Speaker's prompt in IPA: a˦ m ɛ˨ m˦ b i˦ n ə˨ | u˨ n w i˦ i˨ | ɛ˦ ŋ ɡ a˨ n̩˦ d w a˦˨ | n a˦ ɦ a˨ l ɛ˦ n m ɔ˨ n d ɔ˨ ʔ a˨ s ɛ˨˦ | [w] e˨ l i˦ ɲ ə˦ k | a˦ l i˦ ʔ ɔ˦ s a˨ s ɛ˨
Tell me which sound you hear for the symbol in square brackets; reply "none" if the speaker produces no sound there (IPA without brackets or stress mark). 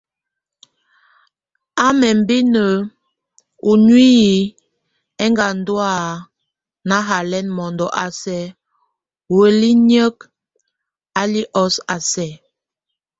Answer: w